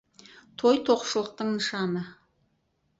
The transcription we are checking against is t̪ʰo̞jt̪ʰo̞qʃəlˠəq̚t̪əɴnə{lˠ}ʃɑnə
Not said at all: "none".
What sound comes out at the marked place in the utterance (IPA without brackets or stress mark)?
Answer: none